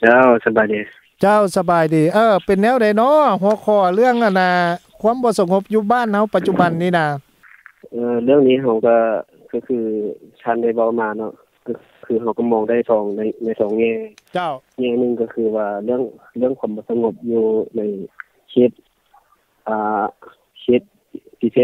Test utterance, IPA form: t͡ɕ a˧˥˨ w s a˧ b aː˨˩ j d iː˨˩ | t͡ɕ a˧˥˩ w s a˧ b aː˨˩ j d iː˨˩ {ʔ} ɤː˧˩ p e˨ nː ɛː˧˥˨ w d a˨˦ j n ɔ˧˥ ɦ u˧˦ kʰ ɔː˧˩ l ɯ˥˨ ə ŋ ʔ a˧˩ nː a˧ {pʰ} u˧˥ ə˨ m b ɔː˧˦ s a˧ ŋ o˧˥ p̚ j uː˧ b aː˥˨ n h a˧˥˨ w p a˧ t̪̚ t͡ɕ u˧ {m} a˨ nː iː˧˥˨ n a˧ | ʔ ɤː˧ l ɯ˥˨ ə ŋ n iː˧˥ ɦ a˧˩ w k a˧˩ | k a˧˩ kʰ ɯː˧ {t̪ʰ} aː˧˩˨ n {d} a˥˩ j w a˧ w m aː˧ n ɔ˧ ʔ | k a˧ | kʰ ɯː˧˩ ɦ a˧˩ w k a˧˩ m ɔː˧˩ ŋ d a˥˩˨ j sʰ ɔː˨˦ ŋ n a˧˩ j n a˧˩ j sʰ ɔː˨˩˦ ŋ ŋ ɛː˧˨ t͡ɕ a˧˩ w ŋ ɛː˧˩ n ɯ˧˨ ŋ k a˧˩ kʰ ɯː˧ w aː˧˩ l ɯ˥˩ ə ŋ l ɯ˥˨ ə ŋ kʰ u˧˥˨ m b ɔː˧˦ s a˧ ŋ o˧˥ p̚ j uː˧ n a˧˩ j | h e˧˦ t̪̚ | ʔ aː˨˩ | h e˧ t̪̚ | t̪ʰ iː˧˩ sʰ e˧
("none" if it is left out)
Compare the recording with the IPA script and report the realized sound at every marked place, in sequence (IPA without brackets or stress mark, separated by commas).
ʔ, kʰ, b, t̪ʰ, d